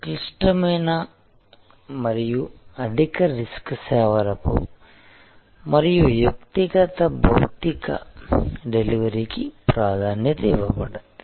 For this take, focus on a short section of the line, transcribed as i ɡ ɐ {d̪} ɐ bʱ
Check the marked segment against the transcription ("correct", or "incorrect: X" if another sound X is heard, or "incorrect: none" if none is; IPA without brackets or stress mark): incorrect: t̪